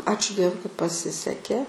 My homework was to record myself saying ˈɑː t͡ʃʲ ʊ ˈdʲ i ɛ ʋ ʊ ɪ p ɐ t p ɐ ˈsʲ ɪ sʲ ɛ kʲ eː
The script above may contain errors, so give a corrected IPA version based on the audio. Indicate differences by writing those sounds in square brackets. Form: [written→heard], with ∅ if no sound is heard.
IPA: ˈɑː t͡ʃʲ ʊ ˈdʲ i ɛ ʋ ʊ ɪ [p→k] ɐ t p ɐ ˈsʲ ɪ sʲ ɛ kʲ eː